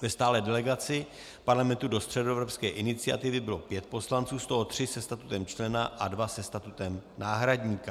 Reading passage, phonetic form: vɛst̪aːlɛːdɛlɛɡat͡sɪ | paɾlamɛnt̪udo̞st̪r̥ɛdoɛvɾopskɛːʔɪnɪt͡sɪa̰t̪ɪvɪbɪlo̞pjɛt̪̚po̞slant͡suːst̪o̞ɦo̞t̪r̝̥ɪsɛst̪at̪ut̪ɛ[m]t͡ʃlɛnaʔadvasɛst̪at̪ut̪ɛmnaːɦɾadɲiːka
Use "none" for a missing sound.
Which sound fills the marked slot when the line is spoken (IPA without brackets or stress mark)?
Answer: m